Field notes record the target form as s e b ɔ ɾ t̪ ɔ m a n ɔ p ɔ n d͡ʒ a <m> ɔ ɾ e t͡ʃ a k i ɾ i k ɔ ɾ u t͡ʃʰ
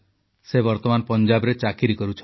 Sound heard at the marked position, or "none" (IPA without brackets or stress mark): b